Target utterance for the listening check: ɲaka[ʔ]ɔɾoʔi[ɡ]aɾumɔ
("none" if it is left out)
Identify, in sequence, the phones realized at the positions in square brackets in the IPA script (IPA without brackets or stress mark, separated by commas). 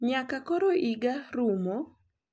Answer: k, ɡ